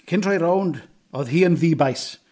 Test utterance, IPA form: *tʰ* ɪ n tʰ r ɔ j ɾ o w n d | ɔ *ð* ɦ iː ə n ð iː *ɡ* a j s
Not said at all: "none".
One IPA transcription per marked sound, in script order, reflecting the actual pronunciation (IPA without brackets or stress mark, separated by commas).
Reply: kʰ, ð, b